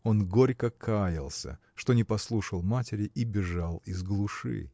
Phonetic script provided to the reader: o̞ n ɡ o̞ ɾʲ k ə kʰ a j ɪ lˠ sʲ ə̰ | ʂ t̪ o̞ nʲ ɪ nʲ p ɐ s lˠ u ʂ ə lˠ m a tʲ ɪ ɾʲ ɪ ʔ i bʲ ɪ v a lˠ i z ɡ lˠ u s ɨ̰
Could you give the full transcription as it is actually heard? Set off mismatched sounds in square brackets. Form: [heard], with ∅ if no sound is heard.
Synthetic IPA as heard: o̞ n ɡ o̞ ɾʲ k ə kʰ a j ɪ lˠ sʲ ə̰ | ʂ t̪ o̞ nʲ ɪ [∅] p ɐ s lˠ u ʂ ə lˠ m a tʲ ɪ ɾʲ ɪ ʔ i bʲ ɪ [ʐ] a lˠ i z ɡ lˠ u [ʂ] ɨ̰